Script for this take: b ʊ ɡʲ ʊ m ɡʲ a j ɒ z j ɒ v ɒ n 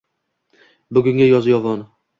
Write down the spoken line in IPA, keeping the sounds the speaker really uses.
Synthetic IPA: b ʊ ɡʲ ʊ ŋ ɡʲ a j ɒ z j ɒ v ɒ n